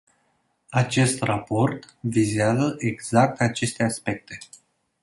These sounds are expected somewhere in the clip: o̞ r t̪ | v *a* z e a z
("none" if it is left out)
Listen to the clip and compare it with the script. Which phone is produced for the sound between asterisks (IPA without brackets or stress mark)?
i